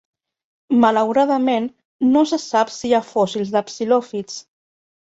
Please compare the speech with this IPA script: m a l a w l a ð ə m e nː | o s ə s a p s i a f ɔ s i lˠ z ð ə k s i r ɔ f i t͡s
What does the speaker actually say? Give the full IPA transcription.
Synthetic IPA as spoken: m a l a w ɾ a ð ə m e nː | o s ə s a p s i a f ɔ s i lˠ z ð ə p s i l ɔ f i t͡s